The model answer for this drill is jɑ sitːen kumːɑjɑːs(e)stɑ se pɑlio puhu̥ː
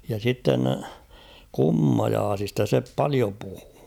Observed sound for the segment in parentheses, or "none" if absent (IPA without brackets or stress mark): i